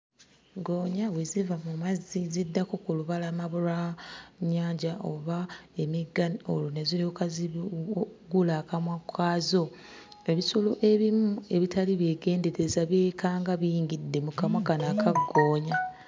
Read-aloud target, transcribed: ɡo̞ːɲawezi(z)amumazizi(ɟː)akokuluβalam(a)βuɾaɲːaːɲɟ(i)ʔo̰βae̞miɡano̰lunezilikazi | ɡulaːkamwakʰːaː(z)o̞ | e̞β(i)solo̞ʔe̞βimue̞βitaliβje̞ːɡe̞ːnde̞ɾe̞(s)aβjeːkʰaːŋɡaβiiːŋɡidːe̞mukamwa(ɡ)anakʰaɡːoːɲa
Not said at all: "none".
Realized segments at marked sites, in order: v, dː, a, a, z, i, z, k

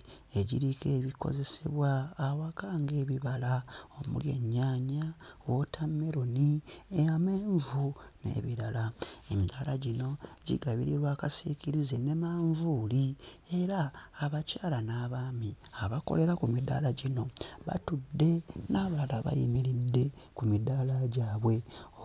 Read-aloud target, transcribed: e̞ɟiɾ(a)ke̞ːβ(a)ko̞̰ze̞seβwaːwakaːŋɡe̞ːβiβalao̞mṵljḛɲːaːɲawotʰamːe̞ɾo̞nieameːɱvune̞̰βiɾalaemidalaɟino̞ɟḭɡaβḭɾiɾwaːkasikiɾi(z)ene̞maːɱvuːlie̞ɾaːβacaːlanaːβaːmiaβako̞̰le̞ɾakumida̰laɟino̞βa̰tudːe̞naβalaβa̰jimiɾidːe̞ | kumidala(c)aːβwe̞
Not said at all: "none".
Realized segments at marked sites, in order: i, i, z, ɟ

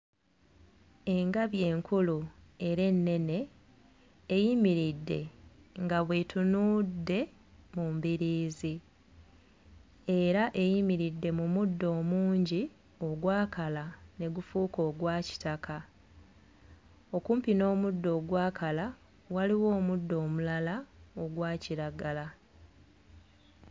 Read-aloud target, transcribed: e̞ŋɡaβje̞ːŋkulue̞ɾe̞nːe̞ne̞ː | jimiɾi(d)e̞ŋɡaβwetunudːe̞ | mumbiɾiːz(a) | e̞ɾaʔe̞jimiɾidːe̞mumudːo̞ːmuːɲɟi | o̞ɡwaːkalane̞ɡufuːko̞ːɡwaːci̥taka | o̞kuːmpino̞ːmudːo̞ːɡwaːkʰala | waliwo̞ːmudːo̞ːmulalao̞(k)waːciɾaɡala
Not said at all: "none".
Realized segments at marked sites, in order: dː, i, ɡ

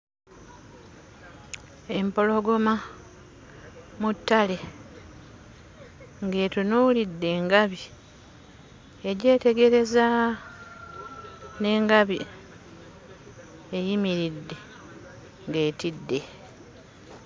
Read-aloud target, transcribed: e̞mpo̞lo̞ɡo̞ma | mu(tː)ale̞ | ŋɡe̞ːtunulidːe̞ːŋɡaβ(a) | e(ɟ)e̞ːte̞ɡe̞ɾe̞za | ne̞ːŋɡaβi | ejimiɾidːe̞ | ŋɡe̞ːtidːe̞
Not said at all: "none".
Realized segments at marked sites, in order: tː, i, ɟ

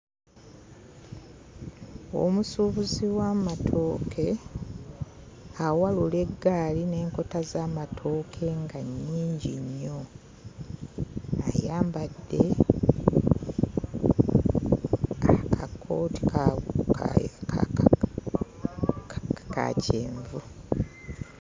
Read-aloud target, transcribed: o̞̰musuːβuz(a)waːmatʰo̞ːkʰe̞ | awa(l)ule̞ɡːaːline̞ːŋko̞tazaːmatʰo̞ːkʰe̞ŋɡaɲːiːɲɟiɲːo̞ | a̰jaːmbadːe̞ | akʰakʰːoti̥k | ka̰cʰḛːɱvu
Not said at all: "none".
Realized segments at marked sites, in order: i, l

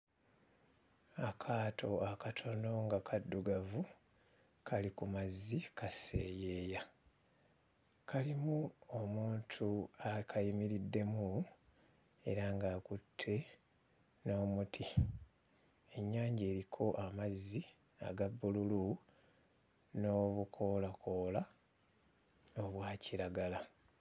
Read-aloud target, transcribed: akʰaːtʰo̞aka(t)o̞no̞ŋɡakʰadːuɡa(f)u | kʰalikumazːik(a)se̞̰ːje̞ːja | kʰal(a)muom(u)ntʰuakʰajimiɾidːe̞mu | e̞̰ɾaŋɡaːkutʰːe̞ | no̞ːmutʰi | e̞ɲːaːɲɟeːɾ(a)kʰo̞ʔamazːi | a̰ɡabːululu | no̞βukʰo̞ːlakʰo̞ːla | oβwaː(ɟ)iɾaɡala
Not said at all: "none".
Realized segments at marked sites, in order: tʰ, v, a, i, uː, i, c

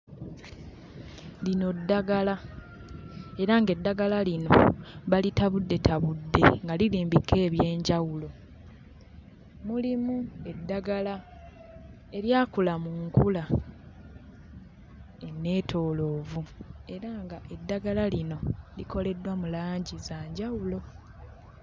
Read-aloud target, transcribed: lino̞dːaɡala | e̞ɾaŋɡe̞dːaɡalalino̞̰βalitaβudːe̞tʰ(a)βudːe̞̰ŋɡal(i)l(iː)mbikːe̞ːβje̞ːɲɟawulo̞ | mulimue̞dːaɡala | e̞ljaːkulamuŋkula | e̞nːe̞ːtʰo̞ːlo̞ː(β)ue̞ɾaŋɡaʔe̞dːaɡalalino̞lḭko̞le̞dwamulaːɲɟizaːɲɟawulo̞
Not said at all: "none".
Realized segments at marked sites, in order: a, i, iː, v

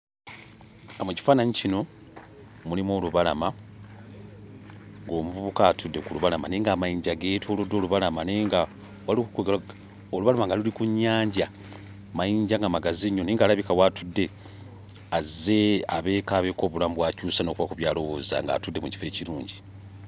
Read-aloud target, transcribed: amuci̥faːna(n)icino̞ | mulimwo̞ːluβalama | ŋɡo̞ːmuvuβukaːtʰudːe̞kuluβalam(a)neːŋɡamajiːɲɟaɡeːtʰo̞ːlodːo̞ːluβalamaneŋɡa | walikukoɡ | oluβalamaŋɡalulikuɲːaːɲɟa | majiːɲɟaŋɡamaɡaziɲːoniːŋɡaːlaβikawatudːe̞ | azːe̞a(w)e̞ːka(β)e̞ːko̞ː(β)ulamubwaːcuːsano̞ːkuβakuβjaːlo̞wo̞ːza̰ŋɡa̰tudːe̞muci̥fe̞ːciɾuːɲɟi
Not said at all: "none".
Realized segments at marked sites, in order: ɲ, a, β, β, β

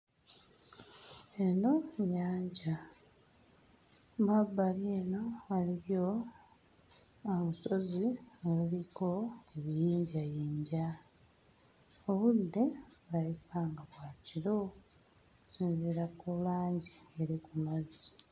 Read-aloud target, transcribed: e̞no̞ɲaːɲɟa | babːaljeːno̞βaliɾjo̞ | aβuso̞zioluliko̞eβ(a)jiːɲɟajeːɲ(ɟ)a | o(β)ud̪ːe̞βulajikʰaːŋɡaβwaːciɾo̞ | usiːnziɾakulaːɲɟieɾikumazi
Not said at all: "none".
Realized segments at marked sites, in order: i, ɟ, β

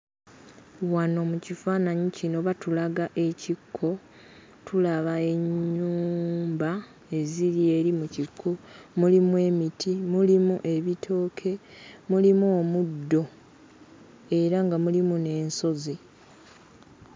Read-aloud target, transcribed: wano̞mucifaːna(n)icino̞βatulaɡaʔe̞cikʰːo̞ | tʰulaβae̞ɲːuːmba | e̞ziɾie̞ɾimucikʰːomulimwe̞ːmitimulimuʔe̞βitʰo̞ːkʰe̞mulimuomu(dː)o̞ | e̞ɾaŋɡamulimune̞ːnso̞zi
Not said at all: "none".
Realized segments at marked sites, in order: ɲ, dː

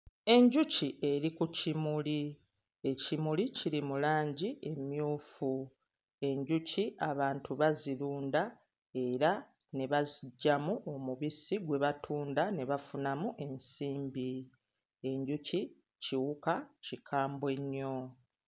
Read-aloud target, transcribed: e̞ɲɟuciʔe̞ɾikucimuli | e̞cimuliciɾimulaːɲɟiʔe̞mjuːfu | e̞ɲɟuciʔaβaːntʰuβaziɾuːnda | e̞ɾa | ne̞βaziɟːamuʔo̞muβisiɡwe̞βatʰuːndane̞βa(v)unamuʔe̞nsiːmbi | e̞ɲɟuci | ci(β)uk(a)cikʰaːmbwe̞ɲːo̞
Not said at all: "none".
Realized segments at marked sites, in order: f, w, a

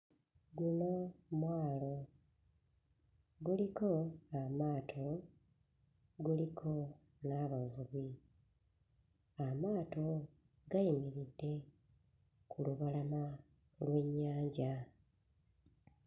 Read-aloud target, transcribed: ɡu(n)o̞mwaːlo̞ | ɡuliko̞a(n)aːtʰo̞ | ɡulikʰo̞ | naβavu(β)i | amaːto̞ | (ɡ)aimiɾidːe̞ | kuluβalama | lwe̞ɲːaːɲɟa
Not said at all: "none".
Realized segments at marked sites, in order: n, m, β, ɡ

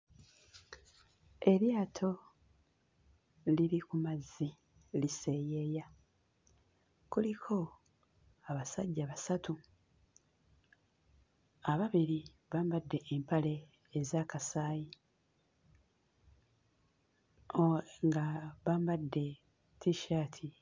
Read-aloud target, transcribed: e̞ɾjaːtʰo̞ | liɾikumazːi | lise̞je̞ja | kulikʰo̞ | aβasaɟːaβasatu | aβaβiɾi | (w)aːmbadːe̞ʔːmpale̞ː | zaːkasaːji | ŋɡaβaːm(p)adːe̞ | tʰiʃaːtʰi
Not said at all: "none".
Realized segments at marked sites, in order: β, b

